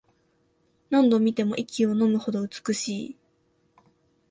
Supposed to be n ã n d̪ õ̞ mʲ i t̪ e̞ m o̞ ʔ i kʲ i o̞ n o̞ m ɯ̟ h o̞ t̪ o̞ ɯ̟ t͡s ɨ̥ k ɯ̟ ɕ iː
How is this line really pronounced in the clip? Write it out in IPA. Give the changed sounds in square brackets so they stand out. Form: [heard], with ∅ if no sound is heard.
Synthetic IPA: n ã n d̪ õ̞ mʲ i t̪ e̞ m o̞ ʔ i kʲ i o̞ n o̞ m ɯ̟ h o̞ [d̪] o̞ ɯ̟ t͡s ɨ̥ k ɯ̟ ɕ iː